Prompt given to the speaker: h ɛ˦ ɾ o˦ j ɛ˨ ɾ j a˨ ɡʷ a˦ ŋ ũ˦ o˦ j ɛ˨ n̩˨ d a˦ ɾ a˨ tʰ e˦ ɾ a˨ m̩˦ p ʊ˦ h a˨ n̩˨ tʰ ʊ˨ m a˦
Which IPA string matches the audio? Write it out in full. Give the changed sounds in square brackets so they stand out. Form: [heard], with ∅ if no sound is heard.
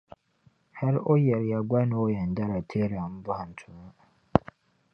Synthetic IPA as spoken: h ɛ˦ ɾ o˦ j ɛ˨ ɾ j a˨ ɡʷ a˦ [n] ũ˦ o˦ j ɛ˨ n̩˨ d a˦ ɾ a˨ tʰ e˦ ɾ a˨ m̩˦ [b] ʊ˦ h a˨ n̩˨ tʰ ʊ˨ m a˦

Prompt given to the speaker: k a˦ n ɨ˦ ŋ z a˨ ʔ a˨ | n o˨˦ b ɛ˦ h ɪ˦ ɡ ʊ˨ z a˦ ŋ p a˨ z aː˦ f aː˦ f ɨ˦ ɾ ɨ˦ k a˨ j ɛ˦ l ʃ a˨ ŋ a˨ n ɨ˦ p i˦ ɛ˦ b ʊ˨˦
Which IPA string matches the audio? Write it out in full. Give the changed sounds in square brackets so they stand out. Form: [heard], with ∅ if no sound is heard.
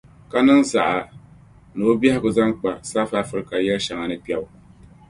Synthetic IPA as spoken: k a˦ n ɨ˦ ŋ z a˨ ʔ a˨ | n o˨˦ b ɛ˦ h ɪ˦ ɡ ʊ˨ z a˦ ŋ [k͡p] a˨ [s] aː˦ f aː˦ f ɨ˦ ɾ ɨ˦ k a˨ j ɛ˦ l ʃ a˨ ŋ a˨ n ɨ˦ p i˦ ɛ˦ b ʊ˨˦

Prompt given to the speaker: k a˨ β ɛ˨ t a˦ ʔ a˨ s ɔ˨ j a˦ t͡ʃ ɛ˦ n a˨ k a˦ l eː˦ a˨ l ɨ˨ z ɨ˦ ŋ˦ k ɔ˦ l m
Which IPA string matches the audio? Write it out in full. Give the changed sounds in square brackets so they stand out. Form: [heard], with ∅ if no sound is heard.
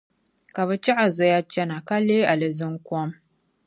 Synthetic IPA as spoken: k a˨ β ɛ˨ [t͡ʃ] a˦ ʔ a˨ [z] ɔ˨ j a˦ t͡ʃ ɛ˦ n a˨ k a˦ l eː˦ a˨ l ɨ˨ z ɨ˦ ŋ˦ k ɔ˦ [∅] m

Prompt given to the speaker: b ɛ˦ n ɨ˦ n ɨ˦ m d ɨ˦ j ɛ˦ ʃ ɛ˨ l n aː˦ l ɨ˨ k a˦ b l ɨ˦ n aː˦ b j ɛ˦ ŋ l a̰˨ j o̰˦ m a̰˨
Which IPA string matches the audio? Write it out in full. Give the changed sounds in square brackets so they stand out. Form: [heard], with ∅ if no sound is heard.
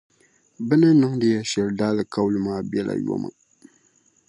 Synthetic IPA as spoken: b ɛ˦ n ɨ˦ n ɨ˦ [ŋ] d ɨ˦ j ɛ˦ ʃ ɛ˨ l [d] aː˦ l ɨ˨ k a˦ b l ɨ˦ [m] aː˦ b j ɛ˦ [∅] l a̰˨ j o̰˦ m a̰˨

